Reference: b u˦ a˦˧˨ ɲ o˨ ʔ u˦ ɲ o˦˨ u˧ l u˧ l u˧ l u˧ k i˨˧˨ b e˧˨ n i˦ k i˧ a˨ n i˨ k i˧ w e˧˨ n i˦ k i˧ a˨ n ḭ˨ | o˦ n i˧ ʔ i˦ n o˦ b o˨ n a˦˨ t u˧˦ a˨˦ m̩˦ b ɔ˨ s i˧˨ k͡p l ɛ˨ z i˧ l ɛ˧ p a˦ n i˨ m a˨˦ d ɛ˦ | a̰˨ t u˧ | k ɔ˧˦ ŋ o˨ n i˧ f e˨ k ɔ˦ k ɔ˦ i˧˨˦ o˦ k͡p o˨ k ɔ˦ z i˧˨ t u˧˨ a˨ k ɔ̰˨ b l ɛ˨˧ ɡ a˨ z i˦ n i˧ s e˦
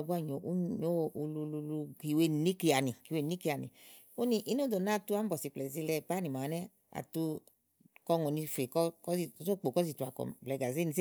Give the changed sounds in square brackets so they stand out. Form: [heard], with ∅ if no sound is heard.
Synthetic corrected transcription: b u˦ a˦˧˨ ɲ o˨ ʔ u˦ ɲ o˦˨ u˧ l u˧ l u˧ l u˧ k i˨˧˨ [w] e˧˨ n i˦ k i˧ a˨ n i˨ k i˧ w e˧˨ n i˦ k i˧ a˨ n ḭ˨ | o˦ n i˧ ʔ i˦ n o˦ [d] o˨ n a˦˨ t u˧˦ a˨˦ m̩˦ b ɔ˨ s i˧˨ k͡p l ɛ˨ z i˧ l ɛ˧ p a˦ n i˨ m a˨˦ [n] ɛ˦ | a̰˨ t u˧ | k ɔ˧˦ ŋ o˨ n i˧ f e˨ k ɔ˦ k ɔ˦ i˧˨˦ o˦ k͡p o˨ k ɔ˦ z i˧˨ t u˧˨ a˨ k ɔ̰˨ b l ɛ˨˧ ɡ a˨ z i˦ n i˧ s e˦